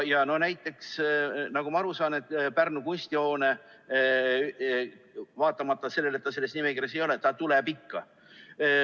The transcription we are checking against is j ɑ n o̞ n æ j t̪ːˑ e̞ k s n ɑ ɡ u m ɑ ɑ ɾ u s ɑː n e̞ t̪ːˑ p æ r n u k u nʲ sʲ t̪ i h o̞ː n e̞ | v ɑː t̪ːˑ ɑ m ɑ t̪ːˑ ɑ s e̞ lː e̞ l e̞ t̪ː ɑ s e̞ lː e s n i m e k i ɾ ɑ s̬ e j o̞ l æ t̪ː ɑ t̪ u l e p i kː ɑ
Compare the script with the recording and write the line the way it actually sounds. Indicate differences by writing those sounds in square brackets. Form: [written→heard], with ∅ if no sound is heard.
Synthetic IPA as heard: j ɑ n o̞ n æ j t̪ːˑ e̞ k s n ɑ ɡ u m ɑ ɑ ɾ u s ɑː n e̞ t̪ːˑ p æ r n u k u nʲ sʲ t̪ i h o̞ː n e̞ | v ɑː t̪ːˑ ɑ m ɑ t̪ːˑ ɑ s e̞ lː e̞ l e̞ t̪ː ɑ s e̞ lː e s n i m e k i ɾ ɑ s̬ e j o̞ l [æ→e] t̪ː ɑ t̪ u l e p i kː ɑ